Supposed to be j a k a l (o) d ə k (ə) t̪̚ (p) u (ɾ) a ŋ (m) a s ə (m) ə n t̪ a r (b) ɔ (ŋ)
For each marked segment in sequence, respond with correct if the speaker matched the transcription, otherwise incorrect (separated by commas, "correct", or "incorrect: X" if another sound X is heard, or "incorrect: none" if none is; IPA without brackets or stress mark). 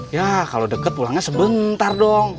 correct, correct, correct, incorrect: l, incorrect: ɲ, incorrect: b, incorrect: d, correct